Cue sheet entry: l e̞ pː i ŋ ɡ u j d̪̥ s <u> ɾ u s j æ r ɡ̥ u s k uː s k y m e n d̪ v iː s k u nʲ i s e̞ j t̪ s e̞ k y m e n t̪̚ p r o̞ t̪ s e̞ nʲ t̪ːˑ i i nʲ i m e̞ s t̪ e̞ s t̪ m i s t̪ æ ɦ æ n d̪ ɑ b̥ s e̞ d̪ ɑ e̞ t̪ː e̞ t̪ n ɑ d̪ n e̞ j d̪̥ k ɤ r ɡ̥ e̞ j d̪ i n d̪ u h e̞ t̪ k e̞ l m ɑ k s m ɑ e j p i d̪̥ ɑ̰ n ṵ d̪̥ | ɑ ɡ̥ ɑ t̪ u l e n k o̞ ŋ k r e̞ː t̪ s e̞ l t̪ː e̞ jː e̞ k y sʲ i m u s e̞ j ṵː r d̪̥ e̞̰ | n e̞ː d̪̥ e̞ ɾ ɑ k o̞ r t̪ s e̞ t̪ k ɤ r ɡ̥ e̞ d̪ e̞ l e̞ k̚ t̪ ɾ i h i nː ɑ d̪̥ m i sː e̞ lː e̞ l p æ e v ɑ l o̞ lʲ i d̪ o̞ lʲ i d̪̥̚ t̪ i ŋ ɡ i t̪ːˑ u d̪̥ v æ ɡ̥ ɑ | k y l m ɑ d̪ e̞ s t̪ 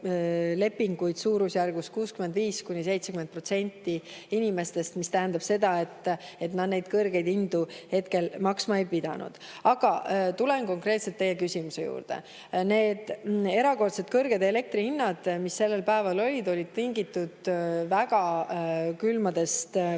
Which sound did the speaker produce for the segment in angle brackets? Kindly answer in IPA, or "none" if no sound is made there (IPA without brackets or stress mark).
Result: uː